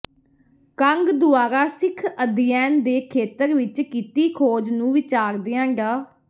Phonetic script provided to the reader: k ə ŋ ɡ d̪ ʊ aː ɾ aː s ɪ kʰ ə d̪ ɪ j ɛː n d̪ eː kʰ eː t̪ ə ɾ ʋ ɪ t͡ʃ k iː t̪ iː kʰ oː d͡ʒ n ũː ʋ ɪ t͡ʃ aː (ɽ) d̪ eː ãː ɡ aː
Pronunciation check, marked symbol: incorrect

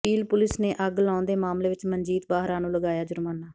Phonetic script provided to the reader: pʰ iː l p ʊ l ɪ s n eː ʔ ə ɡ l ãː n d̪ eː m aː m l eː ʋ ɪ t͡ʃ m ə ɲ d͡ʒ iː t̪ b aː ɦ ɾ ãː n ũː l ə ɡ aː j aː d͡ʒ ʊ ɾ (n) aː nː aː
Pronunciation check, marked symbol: incorrect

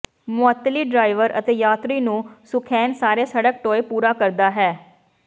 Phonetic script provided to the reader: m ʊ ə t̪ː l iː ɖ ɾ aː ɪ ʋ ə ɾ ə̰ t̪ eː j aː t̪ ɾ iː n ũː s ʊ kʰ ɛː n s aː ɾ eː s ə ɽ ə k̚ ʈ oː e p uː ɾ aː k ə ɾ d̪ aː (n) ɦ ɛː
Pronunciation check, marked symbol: incorrect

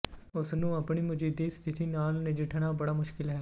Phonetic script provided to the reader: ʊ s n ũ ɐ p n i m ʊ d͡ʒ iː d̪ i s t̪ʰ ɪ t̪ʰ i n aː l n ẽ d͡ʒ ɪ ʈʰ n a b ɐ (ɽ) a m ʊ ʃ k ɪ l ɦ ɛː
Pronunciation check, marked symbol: correct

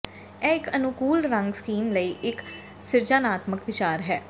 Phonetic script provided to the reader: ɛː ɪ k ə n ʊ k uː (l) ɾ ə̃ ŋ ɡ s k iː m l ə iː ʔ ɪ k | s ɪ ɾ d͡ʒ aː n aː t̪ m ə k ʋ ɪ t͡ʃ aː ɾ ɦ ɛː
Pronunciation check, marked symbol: correct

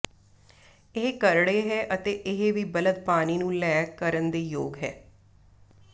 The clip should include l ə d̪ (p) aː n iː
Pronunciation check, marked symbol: correct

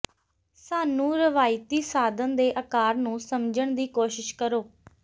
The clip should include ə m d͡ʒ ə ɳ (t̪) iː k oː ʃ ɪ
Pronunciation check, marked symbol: incorrect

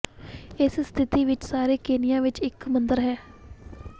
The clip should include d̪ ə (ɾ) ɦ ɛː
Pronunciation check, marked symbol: correct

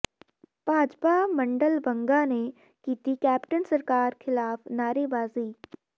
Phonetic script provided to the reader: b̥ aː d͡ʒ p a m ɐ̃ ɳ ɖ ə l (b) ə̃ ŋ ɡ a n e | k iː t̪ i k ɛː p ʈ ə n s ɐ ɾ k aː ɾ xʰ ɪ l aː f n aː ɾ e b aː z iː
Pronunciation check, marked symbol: correct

